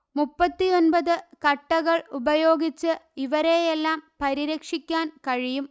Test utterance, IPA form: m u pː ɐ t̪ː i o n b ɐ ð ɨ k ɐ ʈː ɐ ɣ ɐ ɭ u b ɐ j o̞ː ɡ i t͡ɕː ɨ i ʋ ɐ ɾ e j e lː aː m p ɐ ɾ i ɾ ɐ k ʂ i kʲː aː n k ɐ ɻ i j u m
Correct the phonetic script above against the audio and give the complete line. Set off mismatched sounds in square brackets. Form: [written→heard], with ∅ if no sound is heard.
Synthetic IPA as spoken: m u pː ɐ t̪ː i o n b ɐ ð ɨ k ɐ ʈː ɐ ɣ ɐ ɭ u b ɐ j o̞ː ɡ i t͡ɕː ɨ i ʋ ɐ ɾ e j e lː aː m p ɐ ɾ i ɾ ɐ k ʂ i kʲː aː n k ɐ ɻ i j u m